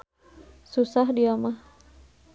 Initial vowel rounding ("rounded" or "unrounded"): rounded